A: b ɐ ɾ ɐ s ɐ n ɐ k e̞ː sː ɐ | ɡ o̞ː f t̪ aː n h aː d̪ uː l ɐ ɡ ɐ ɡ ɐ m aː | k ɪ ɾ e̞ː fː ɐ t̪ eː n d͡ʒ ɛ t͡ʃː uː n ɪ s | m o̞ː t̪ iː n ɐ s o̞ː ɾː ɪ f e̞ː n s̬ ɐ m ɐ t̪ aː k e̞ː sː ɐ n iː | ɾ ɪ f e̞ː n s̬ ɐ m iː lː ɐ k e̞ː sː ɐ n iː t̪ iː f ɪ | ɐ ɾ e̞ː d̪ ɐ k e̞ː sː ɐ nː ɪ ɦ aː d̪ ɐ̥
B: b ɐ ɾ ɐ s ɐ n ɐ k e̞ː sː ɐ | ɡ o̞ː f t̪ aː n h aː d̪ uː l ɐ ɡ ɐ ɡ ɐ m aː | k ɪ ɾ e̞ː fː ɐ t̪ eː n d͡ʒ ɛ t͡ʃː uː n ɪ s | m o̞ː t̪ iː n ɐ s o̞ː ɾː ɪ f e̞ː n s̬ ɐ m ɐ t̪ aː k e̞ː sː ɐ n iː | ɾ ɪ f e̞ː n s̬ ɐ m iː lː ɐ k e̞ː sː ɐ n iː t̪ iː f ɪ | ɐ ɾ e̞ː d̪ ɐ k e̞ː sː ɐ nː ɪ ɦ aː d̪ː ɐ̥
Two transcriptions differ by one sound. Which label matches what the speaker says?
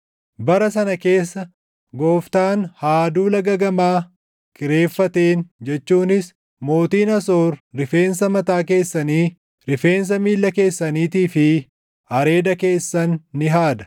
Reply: A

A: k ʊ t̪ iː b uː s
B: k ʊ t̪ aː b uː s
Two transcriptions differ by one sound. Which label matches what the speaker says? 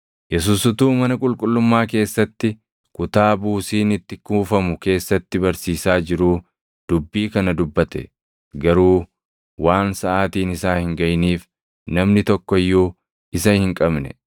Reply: B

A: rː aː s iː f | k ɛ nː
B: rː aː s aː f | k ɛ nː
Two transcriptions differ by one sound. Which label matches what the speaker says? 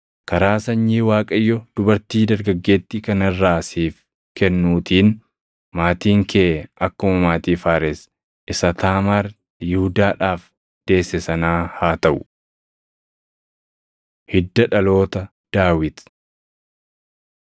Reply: A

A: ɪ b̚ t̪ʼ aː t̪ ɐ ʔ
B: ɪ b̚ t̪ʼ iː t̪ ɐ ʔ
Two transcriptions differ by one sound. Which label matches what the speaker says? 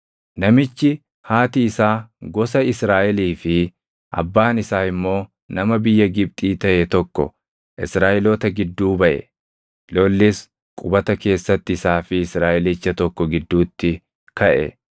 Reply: B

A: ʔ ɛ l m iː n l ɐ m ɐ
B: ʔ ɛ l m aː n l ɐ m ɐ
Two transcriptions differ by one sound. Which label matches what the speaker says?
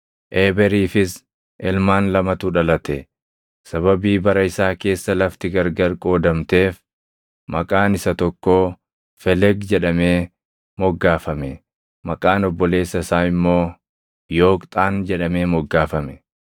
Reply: B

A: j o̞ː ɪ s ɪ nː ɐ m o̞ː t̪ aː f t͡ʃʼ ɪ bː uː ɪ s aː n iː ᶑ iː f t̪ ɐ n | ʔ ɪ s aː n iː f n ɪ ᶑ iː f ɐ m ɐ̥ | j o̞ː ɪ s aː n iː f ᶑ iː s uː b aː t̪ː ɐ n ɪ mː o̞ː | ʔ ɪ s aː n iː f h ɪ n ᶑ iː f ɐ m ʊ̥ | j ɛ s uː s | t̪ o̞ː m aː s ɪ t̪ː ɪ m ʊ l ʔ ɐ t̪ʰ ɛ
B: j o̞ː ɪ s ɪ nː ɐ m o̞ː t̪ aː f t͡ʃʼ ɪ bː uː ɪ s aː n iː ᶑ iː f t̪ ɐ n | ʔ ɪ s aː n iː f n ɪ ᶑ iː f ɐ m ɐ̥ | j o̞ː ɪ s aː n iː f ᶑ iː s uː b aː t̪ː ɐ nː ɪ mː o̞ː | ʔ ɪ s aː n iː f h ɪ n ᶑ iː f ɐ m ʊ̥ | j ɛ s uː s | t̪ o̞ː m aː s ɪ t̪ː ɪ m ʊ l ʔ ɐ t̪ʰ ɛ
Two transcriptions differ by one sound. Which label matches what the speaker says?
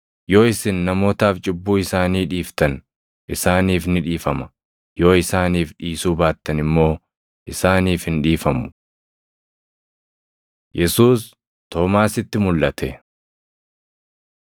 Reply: A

